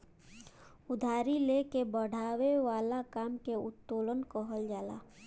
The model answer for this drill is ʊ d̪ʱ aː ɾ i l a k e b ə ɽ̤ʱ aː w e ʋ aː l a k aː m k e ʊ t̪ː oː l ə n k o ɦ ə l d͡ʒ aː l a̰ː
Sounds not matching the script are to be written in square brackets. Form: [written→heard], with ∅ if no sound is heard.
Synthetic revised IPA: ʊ d̪ʱ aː ɾ i l [a→e] k e b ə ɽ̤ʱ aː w e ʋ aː l a k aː m k e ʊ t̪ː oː l ə n k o ɦ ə l d͡ʒ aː l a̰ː